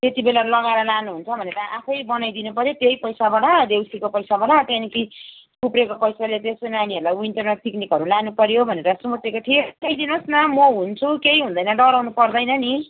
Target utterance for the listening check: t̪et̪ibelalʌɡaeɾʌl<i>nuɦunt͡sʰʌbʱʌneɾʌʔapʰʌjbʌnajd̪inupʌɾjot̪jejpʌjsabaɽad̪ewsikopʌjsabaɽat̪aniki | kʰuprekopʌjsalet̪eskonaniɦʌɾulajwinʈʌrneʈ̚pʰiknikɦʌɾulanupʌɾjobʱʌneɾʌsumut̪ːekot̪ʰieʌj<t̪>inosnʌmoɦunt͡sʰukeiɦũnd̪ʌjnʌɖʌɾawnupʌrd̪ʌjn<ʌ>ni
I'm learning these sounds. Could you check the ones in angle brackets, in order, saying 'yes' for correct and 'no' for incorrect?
no, no, yes

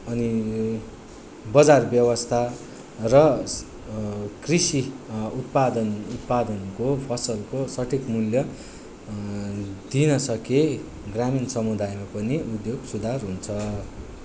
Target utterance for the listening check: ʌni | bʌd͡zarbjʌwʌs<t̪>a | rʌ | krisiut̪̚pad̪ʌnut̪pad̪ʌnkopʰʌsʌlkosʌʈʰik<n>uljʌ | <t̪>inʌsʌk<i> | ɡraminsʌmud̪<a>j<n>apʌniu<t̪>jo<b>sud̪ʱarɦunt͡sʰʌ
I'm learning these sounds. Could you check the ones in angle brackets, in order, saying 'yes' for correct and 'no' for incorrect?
no, no, no, no, yes, no, no, no

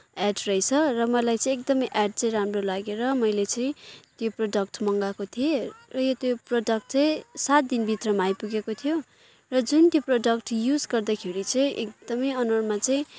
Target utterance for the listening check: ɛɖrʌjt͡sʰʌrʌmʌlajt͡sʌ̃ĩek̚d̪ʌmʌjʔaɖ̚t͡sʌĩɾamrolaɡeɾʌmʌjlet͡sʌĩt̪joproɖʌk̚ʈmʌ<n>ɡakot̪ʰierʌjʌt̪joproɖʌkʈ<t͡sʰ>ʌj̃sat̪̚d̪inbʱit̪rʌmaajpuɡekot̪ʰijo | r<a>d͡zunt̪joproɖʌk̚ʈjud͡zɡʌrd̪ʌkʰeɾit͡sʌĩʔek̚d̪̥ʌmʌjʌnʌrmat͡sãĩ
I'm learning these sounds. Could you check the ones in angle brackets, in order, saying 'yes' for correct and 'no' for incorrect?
no, no, no

